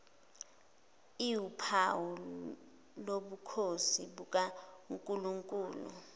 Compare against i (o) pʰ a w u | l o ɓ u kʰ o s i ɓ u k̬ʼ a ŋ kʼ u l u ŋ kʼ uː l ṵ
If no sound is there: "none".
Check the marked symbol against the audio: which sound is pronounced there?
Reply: u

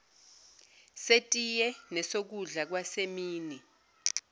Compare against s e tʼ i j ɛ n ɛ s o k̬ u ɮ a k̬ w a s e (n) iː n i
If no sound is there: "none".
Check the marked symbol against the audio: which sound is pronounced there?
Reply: m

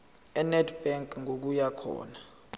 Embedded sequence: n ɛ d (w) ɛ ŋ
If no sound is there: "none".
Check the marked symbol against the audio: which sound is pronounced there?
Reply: b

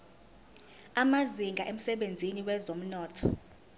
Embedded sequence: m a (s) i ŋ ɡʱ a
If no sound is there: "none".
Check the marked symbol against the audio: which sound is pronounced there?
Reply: z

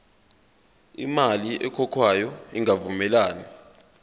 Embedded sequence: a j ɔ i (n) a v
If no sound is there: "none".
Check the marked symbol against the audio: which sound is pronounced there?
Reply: ŋ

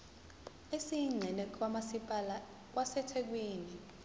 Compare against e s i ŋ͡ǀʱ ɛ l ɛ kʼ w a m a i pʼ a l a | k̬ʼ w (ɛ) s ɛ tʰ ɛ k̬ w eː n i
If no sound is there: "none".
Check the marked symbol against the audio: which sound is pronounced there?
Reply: a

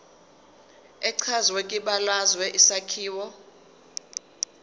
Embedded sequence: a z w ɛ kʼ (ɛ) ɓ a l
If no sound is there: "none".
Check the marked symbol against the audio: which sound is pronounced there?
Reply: i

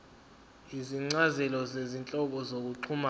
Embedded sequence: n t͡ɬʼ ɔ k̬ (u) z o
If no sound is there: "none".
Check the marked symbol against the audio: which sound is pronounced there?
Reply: ɔ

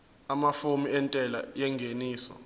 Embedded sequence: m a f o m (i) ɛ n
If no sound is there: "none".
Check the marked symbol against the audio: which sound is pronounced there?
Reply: i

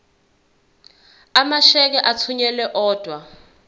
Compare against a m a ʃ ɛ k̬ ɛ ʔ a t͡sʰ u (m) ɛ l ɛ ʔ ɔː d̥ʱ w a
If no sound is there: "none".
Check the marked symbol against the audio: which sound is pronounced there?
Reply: ɲ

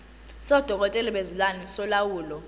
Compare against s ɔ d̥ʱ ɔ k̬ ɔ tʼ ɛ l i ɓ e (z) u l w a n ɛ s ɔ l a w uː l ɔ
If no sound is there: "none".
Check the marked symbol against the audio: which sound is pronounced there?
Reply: z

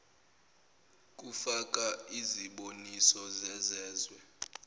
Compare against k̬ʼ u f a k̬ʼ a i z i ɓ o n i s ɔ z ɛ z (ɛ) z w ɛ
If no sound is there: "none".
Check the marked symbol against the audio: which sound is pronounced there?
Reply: ɛː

